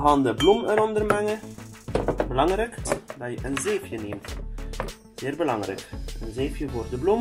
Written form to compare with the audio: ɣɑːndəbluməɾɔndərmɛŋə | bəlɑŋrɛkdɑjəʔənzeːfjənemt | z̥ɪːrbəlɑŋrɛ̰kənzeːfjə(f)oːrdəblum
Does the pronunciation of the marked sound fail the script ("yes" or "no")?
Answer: yes